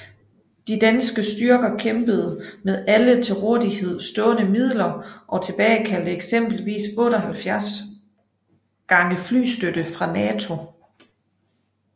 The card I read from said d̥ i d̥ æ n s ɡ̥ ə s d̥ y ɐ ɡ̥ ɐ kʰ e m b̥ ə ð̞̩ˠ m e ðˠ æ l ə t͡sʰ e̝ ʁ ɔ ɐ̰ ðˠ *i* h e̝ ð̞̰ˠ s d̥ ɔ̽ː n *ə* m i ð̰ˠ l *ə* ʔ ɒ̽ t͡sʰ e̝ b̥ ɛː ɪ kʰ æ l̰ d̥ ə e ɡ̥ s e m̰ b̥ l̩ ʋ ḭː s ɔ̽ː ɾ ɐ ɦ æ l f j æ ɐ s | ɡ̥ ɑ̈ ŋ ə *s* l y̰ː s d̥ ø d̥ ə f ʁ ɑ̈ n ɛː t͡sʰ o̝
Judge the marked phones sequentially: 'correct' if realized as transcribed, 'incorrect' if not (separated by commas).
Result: correct, correct, incorrect, incorrect